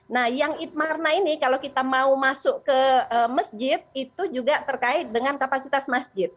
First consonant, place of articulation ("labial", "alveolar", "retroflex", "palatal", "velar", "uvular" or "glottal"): alveolar